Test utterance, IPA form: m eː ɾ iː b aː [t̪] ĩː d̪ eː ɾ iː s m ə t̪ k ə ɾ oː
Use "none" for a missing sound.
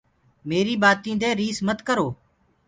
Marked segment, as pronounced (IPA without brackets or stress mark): t̪